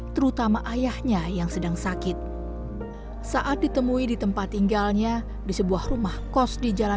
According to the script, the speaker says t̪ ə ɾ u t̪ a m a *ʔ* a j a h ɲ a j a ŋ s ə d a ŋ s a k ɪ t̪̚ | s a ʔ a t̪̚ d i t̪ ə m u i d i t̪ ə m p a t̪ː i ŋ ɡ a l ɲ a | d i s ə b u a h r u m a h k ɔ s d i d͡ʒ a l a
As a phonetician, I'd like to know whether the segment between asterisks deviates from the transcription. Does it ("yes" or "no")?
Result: no